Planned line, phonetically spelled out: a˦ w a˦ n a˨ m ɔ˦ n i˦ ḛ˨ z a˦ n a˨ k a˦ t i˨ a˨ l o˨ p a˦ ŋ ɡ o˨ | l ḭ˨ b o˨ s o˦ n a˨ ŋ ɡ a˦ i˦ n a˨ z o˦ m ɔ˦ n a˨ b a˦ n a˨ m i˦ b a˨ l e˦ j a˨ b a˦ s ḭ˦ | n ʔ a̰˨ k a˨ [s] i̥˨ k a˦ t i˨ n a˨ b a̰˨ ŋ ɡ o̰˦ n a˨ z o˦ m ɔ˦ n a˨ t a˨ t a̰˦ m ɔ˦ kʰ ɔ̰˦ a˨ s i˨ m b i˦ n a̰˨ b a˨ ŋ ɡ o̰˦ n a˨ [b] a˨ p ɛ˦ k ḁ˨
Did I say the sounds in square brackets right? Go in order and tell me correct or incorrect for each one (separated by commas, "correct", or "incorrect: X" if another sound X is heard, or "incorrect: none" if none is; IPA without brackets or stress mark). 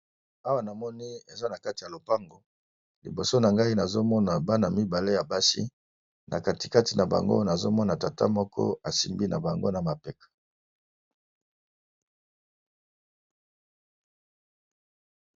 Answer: incorrect: t, incorrect: m